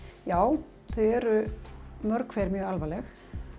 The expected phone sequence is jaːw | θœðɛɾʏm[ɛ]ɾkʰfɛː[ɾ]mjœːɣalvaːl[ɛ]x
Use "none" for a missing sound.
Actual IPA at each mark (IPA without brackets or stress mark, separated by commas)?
œ, ɾ, ɛ